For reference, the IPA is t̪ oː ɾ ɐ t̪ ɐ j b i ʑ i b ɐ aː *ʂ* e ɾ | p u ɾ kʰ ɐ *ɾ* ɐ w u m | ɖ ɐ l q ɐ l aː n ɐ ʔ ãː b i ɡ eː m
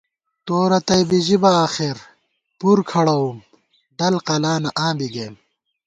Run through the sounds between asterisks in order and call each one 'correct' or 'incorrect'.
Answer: incorrect, incorrect

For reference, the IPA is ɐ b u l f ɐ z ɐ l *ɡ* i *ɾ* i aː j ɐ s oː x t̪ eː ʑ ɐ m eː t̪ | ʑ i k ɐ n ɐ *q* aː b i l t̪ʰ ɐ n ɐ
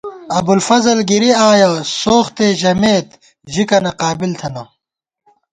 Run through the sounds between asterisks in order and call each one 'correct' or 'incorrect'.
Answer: correct, correct, correct

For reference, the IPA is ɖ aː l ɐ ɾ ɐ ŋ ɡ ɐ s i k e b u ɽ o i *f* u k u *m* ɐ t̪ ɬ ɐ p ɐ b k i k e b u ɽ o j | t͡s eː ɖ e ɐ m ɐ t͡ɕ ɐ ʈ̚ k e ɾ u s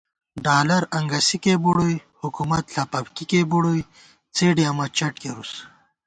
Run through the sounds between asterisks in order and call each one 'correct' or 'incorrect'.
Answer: incorrect, correct

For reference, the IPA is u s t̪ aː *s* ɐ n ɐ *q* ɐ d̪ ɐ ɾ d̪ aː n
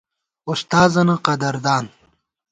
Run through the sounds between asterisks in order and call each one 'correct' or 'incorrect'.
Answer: incorrect, correct

